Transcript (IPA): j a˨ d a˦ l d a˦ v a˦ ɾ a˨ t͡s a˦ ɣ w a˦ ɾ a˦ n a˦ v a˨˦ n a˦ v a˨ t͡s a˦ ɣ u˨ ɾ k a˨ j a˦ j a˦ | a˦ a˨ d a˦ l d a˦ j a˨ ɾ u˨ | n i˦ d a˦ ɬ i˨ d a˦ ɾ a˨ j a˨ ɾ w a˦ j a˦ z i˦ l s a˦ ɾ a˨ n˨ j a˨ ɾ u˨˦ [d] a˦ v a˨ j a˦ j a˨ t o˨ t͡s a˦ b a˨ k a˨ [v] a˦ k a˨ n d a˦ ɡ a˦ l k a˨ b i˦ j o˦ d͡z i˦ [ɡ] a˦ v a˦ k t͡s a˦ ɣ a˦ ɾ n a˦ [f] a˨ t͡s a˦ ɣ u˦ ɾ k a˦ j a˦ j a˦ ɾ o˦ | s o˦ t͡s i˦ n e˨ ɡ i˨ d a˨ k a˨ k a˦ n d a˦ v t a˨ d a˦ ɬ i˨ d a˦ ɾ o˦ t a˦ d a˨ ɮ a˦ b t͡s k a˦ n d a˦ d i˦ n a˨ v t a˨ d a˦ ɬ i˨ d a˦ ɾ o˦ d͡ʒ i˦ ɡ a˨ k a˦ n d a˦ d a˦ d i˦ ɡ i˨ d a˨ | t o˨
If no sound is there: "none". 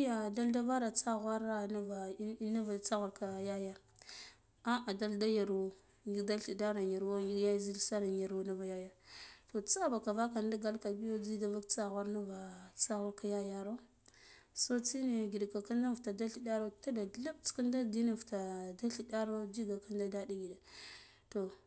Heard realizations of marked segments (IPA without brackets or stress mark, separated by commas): n, v, d, v